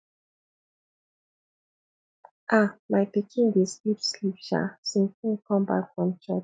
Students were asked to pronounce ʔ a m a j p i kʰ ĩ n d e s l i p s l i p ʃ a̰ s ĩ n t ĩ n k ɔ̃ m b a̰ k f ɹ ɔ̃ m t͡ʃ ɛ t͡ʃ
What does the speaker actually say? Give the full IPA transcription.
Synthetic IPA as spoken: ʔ a m a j p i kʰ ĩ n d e s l i p s l i p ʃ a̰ s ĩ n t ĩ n k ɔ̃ m b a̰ k f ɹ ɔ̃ m t͡ʃ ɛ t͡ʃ